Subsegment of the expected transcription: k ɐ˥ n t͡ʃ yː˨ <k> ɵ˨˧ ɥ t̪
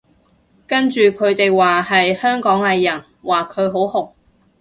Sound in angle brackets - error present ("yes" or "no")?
yes